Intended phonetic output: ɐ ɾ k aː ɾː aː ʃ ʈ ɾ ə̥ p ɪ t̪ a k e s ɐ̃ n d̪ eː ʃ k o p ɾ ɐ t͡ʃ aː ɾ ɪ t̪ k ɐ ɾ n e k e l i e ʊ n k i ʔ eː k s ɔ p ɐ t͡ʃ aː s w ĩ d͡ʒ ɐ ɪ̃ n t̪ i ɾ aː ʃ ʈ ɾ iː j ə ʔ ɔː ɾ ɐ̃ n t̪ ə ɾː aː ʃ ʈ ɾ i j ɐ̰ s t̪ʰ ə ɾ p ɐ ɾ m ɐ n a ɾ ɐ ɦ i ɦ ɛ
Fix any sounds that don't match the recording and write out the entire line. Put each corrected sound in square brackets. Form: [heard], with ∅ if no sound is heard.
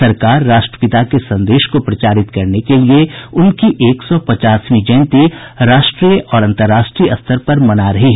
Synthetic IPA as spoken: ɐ ɾ k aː ɾː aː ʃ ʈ ɾ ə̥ p ɪ t̪ a k e s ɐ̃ n d̪ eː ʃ k o p ɾ ɐ t͡ʃ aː ɾ ɪ t̪ k ɐ ɾ n e k e l i e ʊ n k i ʔ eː k s ɔ p ɐ t͡ʃ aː s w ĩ d͡ʒ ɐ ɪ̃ n t̪ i ɾ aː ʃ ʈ ɾ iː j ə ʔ ɔː ɾ ɐ̃ n t̪ ə ɾː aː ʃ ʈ ɾ i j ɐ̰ s t̪ʰ ə ɾ p ɐ ɾ m ɐ n a ɾ ɐ ɦ i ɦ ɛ